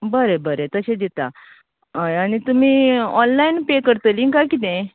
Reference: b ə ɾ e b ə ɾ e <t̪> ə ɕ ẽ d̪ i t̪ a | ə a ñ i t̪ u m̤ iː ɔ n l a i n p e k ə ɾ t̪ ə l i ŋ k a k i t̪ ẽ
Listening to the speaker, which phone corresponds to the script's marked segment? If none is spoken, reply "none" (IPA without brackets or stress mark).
t̪